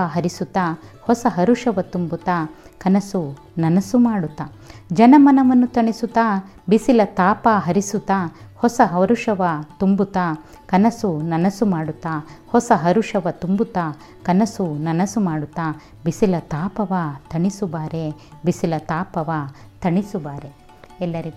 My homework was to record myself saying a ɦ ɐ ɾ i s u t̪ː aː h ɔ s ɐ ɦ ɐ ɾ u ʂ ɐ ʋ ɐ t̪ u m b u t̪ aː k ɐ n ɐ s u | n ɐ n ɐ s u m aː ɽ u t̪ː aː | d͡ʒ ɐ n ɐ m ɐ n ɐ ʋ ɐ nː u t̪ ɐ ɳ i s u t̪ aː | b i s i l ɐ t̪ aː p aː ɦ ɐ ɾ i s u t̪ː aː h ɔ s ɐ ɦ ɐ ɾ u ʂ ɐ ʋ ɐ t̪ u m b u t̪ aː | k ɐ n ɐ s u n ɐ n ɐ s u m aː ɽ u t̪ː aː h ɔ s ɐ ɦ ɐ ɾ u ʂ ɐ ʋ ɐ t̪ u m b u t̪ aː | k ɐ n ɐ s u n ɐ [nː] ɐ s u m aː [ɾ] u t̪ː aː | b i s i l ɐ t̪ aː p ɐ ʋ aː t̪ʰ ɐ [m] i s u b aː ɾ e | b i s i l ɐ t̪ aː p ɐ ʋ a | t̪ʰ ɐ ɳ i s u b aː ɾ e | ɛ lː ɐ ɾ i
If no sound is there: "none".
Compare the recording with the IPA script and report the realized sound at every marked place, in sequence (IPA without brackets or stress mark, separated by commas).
n, ɽ, ɳ